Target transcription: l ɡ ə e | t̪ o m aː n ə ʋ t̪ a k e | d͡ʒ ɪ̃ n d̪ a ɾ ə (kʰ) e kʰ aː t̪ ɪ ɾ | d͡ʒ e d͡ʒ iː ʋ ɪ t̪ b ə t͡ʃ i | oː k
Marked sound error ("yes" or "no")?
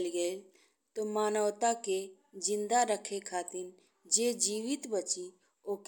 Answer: no